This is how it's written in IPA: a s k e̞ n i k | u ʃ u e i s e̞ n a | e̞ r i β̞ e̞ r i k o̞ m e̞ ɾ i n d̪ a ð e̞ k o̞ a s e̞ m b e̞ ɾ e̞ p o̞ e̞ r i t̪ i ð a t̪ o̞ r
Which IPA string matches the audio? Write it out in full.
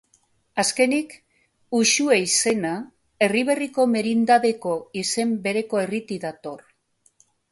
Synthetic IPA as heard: a s k e̞ n i k | u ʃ u e i s e̞ n a | e̞ r i β̞ e̞ r i k o̞ m e̞ ɾ i n d̪ a ð e̞ k o̞ i s e̞ m b e̞ ɾ e̞ k o̞ e̞ r i t̪ i ð a t̪ o̞ r